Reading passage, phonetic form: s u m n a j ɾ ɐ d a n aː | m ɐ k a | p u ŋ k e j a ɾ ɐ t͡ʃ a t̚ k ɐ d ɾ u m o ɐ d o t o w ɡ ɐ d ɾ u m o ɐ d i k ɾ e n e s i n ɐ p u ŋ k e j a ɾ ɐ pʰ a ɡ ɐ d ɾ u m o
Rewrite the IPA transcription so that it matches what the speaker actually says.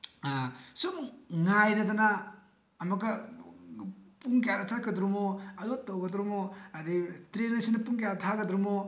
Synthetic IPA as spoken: s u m ŋ a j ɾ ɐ d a n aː | m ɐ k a | p u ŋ k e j a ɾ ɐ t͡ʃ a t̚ k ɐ d ɾ u m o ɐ d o t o w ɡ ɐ d ɾ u m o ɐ d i t ɾ e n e s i n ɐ p u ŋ k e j a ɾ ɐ tʰ a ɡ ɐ d ɾ u m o